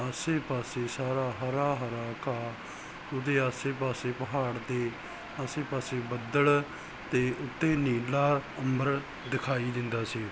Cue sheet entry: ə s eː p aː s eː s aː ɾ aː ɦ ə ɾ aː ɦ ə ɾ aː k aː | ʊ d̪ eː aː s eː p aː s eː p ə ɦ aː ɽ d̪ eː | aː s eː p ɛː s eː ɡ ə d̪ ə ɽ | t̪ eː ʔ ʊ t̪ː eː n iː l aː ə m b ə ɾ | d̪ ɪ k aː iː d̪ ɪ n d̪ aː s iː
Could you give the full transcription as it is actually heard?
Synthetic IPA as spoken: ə s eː p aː s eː s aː ɾ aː ɦ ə ɾ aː ɦ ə ɾ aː k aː | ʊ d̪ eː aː s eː p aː s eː p ə ɦ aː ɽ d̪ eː | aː s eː p aː s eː b ə d̪ ə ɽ | t̪ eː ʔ ʊ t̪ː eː n iː l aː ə m b ə ɾ | d̪ ɪ kʰ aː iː d̪ ɪ n d̪ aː s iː